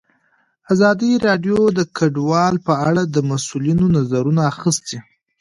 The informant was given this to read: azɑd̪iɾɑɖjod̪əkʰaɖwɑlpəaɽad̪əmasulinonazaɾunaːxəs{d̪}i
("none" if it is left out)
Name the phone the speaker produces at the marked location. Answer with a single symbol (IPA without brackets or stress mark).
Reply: t̪